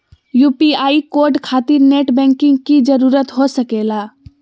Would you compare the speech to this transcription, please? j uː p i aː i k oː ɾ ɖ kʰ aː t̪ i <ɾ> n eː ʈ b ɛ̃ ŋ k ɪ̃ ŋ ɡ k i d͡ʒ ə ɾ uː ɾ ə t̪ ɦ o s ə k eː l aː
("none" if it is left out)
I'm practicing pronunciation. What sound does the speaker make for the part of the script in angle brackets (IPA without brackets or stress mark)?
ɾ